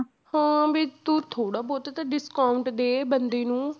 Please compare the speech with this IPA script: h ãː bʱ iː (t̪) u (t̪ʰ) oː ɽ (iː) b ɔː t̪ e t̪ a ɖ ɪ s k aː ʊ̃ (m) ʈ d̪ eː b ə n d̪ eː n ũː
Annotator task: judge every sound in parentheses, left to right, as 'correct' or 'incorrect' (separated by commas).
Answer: correct, correct, incorrect, incorrect